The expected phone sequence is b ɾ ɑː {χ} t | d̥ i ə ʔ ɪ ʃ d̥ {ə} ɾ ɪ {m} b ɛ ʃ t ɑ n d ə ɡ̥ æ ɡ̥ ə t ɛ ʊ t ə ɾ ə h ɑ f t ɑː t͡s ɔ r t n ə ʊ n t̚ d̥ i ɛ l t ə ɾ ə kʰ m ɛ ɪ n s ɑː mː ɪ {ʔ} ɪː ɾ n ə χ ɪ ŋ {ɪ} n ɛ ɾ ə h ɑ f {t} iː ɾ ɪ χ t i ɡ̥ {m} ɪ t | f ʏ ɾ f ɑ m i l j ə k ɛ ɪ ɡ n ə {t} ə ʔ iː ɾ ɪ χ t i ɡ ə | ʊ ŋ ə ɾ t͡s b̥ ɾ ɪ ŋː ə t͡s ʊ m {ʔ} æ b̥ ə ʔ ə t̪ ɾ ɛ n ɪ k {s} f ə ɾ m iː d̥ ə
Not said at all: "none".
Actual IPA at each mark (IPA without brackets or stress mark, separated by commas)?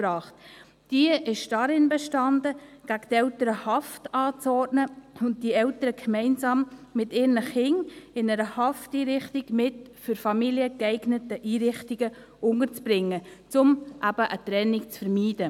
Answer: χ, ɑ, n, t, ɪ, t, m, t, ʔ, t͡s